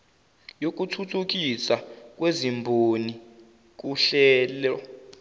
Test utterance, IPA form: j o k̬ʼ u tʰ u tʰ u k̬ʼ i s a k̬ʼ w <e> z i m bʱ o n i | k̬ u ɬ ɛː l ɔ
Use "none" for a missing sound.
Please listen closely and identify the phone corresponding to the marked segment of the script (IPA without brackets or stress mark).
e